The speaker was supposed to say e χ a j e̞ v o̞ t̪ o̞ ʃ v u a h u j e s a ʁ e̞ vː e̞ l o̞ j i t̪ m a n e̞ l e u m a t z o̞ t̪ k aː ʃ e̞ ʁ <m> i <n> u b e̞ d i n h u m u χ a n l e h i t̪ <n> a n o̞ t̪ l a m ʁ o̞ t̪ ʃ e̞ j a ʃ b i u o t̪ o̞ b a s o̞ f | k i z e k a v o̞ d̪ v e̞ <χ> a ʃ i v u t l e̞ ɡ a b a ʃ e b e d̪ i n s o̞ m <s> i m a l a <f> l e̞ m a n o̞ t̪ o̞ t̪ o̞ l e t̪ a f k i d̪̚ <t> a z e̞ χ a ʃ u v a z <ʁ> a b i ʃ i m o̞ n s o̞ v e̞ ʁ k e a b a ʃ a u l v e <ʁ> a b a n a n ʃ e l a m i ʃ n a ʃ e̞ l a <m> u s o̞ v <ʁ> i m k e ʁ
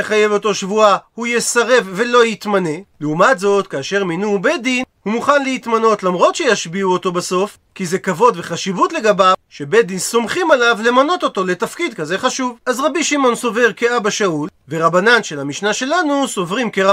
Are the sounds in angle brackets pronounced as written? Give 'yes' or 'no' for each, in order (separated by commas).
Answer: yes, yes, no, yes, no, no, no, yes, yes, no, yes